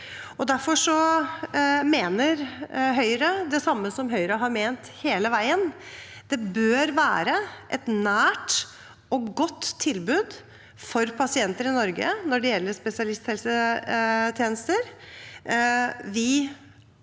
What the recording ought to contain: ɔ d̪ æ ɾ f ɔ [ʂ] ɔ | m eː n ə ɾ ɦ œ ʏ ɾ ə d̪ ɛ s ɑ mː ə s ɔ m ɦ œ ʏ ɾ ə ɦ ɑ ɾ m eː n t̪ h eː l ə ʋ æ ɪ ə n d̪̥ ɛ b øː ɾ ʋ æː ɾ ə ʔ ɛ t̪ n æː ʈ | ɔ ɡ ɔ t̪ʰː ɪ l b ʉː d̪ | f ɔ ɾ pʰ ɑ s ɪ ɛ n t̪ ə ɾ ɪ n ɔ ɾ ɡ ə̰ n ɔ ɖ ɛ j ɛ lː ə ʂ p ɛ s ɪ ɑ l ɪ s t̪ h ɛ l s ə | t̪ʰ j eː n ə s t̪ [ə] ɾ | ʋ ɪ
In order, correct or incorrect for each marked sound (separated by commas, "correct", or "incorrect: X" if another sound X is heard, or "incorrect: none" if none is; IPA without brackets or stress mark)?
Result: correct, correct